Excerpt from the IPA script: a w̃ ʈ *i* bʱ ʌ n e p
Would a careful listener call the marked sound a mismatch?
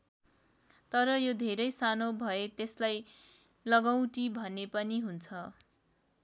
no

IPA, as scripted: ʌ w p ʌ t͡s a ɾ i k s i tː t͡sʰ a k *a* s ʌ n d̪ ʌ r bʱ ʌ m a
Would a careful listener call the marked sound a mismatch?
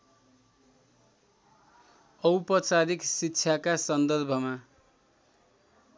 no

